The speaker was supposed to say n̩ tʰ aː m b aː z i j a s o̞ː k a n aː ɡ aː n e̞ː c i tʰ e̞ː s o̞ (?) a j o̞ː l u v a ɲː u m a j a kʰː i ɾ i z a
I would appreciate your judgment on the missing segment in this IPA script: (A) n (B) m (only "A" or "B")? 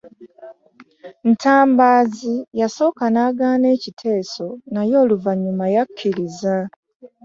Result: A